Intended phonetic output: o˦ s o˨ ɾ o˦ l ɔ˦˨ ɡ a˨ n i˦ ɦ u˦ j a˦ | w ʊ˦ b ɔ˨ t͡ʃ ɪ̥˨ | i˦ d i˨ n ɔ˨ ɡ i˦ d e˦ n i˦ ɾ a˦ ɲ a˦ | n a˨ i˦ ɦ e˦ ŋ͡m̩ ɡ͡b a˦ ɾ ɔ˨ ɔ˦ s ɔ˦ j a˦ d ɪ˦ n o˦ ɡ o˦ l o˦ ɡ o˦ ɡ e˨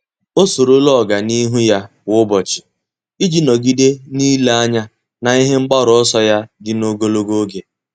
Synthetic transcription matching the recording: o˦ s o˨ ɾ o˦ l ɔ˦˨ ɡ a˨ n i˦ ɦ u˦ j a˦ | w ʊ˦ b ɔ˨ t͡ʃ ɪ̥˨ | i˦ d͡ʒ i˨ n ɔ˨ ɡ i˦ d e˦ n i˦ l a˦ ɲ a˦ | n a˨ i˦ ɦ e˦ ŋ͡m̩ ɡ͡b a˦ ɾ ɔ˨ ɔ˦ s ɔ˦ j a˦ d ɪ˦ n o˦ ɡ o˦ l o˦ ɡ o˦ ɡ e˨